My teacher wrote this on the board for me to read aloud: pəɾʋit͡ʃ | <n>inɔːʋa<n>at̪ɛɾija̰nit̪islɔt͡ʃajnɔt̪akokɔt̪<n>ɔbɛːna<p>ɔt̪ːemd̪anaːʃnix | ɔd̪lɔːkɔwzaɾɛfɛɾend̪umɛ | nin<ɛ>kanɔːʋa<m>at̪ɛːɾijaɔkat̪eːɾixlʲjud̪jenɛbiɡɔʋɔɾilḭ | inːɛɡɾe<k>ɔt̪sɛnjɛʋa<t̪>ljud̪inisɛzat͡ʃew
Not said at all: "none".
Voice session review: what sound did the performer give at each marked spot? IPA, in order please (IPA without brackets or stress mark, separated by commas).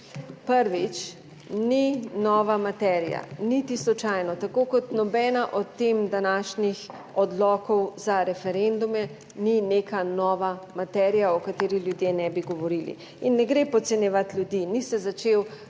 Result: n, m, n, ʔ, e, m, p, t̪